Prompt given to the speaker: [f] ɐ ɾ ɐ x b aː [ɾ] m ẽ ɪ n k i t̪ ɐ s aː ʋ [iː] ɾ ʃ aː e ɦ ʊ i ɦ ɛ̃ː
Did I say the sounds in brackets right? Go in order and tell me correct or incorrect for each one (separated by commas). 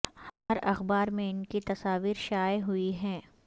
incorrect, correct, correct